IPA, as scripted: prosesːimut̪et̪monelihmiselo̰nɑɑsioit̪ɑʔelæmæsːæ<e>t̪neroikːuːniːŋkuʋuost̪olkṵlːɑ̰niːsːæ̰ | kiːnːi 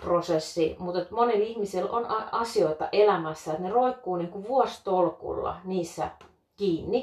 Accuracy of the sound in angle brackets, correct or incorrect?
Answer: correct